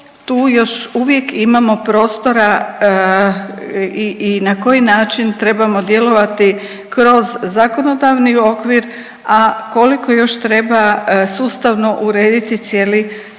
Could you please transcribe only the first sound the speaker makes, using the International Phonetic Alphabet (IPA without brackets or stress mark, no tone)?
t̪